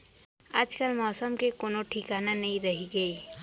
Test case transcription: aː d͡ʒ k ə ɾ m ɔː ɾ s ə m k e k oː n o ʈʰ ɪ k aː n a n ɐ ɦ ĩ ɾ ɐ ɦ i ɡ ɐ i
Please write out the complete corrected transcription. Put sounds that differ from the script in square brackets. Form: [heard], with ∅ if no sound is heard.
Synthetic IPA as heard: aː d͡ʒ k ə [l] m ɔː [∅] s ə m k e k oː n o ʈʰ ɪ k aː n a n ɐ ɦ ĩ ɾ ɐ ɦ i ɡ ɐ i